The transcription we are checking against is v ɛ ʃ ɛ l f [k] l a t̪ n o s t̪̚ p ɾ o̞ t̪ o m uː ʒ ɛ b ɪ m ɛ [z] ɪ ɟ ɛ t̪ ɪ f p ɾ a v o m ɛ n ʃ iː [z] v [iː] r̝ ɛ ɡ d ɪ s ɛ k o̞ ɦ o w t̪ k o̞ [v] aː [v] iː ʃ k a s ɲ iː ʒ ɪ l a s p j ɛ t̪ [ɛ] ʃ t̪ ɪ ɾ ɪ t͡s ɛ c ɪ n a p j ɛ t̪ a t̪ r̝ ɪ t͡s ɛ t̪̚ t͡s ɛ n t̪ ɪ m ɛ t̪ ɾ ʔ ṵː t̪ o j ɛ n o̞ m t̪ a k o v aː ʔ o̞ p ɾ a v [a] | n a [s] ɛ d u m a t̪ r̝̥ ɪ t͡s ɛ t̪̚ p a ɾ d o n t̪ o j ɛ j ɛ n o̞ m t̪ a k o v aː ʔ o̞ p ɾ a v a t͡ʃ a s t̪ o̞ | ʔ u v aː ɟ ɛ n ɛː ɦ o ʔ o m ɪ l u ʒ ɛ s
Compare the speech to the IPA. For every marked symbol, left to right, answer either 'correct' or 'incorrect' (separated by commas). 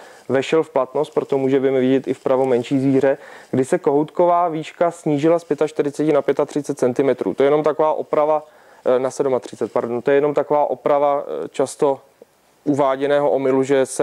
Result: incorrect, incorrect, correct, correct, correct, correct, incorrect, correct, correct